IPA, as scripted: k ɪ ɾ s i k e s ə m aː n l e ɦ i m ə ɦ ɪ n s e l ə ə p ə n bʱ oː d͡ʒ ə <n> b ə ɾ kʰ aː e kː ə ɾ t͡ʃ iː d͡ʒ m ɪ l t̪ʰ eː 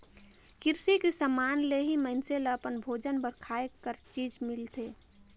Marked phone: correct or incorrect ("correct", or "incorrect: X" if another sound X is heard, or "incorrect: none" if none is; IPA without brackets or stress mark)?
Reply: correct